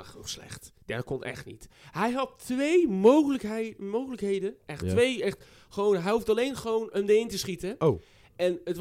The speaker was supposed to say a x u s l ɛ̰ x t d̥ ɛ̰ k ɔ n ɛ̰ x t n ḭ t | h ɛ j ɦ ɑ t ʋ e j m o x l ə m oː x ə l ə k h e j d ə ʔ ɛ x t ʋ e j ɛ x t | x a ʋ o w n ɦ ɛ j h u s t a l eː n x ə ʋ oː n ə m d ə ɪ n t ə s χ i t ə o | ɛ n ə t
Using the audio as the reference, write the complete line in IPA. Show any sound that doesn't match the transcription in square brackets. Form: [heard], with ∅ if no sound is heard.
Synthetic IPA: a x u s l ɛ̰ x t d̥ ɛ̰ k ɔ n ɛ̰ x t n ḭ t | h ɛ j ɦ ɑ t ʋ e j m o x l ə m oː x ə l ə k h e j d ə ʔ ɛ x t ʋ e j ɛ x t | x [ə] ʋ o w n ɦ ɛ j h u [f] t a l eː n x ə ʋ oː n ə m d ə ɪ n t ə s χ i t ə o | ɛ n ə t